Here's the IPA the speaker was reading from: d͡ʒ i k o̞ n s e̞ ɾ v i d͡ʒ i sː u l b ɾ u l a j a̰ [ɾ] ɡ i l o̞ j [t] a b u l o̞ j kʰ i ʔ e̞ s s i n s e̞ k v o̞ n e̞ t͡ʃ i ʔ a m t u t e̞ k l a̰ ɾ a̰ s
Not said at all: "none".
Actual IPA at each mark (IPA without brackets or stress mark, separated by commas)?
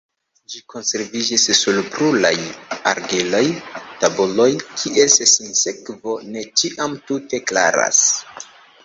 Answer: ɾ, t